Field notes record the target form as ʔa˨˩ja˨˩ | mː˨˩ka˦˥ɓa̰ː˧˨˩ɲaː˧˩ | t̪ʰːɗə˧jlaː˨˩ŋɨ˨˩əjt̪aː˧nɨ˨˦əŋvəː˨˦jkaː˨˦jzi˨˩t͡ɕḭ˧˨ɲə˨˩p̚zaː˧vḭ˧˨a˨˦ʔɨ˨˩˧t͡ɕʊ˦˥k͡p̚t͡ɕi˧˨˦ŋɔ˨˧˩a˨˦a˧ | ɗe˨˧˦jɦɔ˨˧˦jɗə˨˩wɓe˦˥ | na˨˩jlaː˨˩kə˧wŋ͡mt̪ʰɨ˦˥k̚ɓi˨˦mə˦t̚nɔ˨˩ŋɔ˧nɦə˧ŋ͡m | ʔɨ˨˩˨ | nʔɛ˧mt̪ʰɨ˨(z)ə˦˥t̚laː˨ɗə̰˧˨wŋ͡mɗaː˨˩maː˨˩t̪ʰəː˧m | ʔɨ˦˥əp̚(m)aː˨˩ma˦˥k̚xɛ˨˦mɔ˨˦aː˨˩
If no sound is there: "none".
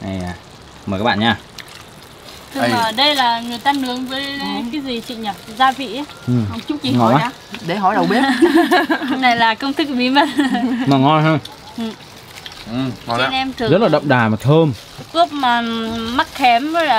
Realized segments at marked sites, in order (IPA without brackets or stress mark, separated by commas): z, m